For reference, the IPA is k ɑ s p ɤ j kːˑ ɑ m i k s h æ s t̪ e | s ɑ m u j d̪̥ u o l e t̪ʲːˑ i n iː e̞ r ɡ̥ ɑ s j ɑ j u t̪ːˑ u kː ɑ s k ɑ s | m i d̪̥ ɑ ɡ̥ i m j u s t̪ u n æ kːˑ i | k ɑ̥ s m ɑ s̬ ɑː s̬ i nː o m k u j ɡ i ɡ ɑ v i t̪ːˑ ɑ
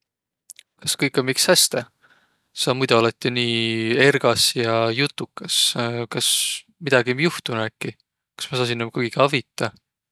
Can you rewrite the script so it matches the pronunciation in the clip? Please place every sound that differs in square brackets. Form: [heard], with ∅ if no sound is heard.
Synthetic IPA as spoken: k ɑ s [k] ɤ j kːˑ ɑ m i k s h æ s t̪ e | s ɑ m u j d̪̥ u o l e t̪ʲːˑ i n iː e̞ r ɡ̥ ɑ s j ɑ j u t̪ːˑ u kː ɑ s k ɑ s | m i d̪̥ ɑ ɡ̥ i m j u [h] t̪ u n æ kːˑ i | k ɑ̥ s m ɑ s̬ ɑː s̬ i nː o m k u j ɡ i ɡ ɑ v i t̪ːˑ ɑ